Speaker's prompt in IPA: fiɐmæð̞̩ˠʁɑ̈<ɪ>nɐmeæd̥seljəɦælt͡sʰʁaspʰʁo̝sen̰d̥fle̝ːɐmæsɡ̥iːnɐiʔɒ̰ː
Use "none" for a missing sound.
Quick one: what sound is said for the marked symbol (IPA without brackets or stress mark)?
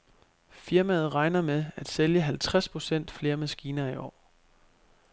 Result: ɪ